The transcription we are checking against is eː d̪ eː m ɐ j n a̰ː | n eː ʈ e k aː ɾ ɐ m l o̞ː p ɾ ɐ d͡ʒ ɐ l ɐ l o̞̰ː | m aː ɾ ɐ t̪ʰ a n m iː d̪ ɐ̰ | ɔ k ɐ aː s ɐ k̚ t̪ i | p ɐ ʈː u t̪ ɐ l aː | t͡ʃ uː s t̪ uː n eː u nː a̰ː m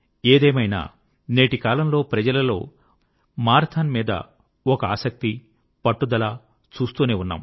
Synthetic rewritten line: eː d̪ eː m ɐ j n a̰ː | n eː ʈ i k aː l ɐ m l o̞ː p ɾ ɐ d͡ʒ ɐ l ɐ l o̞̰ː | m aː ɾ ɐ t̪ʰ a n m iː d̪ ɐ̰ | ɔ k ɐ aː s ɐ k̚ t̪ i | p ɐ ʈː u d̪ ɐ l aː | t͡ʃ uː s t̪ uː n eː u nː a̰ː m